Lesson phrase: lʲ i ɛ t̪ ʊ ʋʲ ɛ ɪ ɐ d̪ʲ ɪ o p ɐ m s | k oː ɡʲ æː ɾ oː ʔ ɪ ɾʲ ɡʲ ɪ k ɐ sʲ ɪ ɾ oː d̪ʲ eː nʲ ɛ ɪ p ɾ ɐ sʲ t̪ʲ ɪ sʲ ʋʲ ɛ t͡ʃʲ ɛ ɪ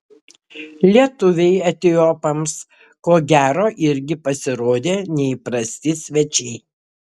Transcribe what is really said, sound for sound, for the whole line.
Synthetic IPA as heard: lʲ i ɛ t̪ ʊ ʋʲ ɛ ɪ ɐ t̪ʲ ɪ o p ɐ m s | k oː ɡʲ æː ɾ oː ʔ ɪ ɾʲ ɡʲ ɪ p ɐ sʲ ɪ ɾ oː d̪ʲ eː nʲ ɛ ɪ p ɾ ɐ sʲ t̪ʲ ɪ sʲ ʋʲ ɛ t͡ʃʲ ɛ ɪ

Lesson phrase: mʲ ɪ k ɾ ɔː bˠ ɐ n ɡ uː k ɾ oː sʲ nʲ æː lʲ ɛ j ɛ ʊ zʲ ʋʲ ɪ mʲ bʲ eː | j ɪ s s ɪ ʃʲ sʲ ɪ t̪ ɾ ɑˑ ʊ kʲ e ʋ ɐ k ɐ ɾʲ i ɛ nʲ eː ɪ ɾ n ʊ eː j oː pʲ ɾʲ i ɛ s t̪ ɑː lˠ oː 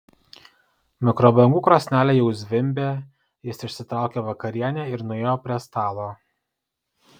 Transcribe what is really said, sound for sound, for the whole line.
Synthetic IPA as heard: mʲ ɪ k ɾ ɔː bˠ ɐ ŋ ɡ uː k ɾ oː sʲ nʲ æː lʲ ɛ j ɛ ʊ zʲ ʋʲ ɪ mʲ bʲ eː | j ɪ ʃ s ɪ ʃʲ sʲ ɪ t̪ ɾ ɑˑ ʊ kʲ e ʋ ɐ k ɐ ɾʲ i ɛ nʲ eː ɪ ɾ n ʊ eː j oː pʲ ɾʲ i ɛ s t̪ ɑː lˠ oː

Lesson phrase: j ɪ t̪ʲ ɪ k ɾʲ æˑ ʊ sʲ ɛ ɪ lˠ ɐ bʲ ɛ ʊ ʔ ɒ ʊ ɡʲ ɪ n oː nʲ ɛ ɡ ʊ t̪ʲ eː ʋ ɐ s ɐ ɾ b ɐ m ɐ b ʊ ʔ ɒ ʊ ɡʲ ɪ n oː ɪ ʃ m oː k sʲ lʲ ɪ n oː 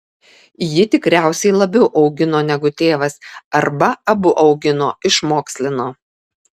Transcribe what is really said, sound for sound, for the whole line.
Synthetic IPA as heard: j ɪ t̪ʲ ɪ k ɾʲ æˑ ʊ sʲ ɛ ɪ lˠ ɐ bʲ ɛ ʊ ʔ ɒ ʊ ɡʲ ɪ n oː nʲ ɛ ɡ ʊ t̪ʲ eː ʋ ɐ s ɐ ɾ b ɐ ɐ b ʊ ʔ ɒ ʊ ɡʲ ɪ n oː ɪ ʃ m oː k sʲ lʲ ɪ n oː

